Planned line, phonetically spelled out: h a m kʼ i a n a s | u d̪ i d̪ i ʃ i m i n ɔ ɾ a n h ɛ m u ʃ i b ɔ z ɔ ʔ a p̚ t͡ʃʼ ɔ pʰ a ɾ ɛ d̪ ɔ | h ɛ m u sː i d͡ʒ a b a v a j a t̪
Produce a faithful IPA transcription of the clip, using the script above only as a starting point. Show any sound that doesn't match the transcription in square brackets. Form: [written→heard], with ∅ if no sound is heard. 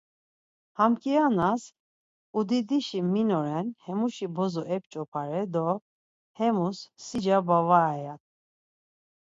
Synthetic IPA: h a m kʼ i a n a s | u d̪ i d̪ i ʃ i m i n ɔ ɾ [a→ɛ] n h ɛ m u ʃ i b ɔ z ɔ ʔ [a→ɛ] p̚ t͡ʃʼ ɔ pʰ a ɾ ɛ d̪ ɔ | h ɛ m u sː i d͡ʒ a b a v a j a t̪